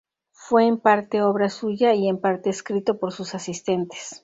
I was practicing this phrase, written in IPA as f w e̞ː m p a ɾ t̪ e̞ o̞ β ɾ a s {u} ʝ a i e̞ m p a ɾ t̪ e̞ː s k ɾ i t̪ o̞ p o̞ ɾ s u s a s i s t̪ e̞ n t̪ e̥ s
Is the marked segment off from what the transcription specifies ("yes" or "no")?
no